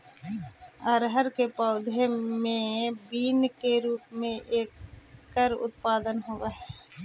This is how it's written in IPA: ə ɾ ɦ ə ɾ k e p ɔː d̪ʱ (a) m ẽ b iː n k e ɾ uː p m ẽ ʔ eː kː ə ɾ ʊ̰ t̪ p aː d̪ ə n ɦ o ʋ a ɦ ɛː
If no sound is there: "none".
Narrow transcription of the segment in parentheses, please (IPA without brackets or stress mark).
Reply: e